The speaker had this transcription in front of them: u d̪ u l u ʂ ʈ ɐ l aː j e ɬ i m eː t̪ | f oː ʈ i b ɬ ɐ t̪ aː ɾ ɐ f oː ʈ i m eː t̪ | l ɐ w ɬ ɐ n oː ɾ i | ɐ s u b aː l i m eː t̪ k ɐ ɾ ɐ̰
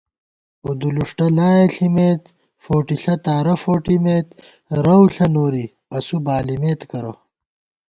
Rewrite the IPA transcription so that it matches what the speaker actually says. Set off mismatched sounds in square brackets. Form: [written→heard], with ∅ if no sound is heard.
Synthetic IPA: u d̪ u l u ʂ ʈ ɐ l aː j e ɬ i m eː t̪ | f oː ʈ i [b→∅] ɬ ɐ t̪ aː ɾ ɐ f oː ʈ i m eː t̪ | [l→ɾ] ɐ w ɬ ɐ n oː ɾ i | ɐ s u b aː l i m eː t̪ k ɐ ɾ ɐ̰